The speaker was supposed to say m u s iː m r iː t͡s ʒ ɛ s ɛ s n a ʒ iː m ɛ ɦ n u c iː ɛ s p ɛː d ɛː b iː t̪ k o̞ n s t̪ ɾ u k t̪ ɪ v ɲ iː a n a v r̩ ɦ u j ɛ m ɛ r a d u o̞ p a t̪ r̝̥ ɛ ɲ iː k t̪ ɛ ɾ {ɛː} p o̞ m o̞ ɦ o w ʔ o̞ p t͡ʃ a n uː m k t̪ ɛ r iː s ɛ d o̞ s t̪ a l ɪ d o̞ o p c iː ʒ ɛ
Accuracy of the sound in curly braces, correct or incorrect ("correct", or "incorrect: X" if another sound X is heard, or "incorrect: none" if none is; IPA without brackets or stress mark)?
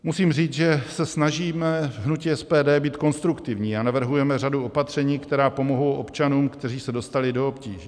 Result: incorrect: aː